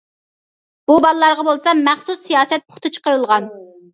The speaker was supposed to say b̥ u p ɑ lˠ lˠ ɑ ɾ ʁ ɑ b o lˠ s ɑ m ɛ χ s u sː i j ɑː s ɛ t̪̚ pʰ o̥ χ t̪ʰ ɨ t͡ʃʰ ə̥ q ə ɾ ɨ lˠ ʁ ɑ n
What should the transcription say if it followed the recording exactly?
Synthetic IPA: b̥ u b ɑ lˠ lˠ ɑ ɾ ʁ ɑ b o lˠ s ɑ m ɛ χ s u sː i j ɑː s ɛ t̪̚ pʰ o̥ χ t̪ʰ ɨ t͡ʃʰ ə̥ q ə ɾ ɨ lˠ ʁ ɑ n